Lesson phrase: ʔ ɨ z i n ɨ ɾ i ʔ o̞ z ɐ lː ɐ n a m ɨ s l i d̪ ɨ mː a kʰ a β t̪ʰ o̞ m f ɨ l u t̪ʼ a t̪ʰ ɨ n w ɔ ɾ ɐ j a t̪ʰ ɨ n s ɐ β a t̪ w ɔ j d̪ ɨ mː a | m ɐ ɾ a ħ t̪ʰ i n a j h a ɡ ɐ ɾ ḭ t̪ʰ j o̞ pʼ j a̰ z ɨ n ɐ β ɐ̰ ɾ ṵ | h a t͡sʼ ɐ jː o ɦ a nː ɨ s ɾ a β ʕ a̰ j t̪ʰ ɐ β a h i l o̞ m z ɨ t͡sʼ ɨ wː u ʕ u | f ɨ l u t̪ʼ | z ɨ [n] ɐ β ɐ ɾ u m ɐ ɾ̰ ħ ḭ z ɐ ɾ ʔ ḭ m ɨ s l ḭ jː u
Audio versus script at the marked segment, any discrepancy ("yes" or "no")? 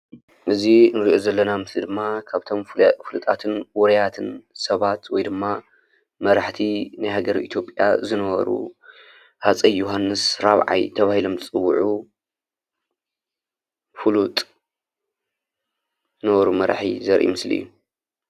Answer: no